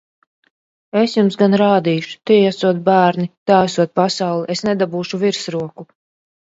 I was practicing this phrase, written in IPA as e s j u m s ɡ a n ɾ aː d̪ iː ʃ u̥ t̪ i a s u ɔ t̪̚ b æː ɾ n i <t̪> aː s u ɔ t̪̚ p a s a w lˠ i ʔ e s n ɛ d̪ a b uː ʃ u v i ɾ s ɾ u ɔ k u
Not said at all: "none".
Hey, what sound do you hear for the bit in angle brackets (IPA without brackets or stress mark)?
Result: t̪